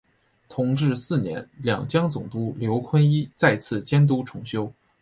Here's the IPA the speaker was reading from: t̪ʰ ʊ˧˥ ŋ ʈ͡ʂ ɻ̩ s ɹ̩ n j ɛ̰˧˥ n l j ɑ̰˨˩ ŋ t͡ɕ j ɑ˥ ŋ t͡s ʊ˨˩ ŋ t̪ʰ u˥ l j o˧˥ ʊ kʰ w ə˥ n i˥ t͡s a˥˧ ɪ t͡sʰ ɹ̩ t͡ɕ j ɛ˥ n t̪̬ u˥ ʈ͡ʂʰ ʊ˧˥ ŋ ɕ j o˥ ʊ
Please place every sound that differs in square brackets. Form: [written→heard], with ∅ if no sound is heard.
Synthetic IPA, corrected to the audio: t̪ʰ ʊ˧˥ ŋ ʈ͡ʂ ɻ̩ s ɹ̩ n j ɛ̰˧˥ n l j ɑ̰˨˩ ŋ t͡ɕ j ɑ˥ ŋ t͡s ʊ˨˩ ŋ [t̪ʰ→t̪] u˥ l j o˧˥ ʊ kʰ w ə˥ n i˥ t͡s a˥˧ ɪ t͡sʰ ɹ̩ t͡ɕ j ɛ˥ n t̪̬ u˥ ʈ͡ʂʰ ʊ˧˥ ŋ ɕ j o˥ ʊ